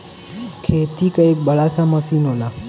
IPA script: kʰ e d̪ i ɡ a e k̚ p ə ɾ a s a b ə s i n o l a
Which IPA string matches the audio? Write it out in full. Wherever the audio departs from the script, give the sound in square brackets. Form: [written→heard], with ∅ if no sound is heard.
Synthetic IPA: kʰ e [d̪→t̪] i [ɡ→k] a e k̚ [p→b] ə [ɾ→ɭ] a s a [b→m] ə s i n o l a